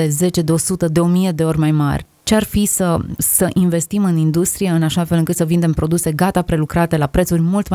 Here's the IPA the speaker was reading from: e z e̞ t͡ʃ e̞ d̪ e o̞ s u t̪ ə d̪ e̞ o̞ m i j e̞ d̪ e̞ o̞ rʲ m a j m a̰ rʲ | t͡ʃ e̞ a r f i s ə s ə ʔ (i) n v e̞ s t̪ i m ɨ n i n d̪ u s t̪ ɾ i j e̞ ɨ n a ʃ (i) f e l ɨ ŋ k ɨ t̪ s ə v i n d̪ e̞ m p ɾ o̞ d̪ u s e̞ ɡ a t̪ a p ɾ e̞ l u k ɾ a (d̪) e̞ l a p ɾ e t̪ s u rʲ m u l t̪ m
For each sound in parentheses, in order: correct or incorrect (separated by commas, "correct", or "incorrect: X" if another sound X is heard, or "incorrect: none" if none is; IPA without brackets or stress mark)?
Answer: correct, incorrect: a, incorrect: t̪